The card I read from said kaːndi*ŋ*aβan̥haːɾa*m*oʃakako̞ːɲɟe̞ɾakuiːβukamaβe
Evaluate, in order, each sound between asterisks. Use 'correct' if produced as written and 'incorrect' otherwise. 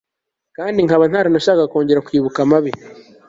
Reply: correct, incorrect

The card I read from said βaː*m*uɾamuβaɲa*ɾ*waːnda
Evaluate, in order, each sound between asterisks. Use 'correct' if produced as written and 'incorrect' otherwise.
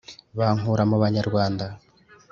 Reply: incorrect, correct

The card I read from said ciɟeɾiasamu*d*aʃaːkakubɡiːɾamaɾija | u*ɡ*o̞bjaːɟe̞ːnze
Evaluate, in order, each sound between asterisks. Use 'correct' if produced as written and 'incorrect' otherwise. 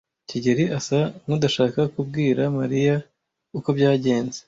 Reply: correct, incorrect

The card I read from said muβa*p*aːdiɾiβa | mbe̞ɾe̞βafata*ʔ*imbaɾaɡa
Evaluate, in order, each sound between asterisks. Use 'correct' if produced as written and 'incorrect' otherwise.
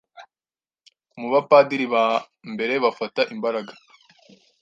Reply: correct, correct

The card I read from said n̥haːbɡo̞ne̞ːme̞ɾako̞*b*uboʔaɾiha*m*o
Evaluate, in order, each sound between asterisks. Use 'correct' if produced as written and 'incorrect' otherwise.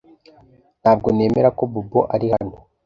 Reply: correct, incorrect

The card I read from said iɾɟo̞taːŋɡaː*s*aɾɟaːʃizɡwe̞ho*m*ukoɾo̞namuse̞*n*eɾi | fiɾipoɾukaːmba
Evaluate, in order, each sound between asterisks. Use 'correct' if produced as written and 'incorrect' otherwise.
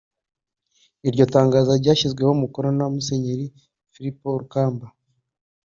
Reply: incorrect, correct, incorrect

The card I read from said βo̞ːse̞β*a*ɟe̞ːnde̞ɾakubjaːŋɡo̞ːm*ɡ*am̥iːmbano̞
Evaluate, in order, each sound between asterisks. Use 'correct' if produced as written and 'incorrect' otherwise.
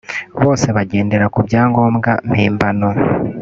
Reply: correct, correct

